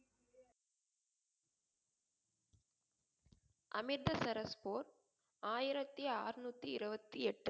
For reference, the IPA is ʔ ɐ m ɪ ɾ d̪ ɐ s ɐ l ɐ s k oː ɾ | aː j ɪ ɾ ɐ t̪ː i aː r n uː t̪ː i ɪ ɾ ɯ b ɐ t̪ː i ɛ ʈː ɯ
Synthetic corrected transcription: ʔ ɐ m ɪ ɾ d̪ ɐ s ɐ ɾ ɐ s p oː ɾ | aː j ɪ ɾ ɐ t̪ː i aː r n uː t̪ː i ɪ ɾ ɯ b ɐ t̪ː i ɛ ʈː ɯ